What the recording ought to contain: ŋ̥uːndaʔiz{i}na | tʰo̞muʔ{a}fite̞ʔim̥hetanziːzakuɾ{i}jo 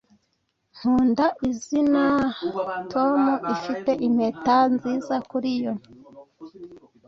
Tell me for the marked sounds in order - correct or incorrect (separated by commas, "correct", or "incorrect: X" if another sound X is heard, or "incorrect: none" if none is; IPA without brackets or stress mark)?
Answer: correct, incorrect: i, correct